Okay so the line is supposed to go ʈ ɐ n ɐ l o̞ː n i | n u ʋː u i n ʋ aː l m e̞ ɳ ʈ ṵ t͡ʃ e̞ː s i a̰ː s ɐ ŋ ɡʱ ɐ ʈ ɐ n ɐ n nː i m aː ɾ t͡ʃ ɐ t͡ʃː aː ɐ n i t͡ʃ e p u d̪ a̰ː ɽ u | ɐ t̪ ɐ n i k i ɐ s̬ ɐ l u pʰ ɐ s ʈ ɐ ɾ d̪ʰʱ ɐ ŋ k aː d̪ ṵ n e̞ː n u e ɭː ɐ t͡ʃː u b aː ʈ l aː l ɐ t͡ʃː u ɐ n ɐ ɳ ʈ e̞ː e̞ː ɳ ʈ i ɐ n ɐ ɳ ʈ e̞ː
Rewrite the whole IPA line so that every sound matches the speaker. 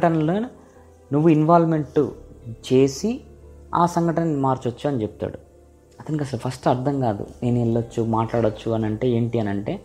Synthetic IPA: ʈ ɐ n ɐ l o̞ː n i | n u ʋː u i n ʋ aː l m e̞ ɳ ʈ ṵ t͡ʃ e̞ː s i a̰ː s ɐ ŋ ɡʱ ɐ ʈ ɐ n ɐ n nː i m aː ɾ t͡ʃ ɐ t͡ʃː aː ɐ n i t͡ʃ e p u t̪ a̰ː ɽ u | ɐ t̪ ɐ n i k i ɐ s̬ ɐ l u pʰ ɐ s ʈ ɐ ɾ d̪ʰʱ ɐ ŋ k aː d̪ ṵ n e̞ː n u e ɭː ɐ t͡ʃː u m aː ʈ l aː ɽ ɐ t͡ʃː u ɐ n ɐ ɳ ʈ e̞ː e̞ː ɳ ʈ i ɐ n ɐ ɳ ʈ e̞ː